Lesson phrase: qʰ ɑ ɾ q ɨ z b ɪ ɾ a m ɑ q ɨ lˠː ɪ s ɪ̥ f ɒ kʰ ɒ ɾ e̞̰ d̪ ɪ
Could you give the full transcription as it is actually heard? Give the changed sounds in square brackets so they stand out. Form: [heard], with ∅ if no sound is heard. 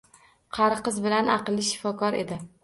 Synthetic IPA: qʰ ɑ ɾ q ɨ z b ɪ [l] a [n] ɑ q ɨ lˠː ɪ [ʃ] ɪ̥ f ɒ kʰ ɒ ɾ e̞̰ d̪ ɪ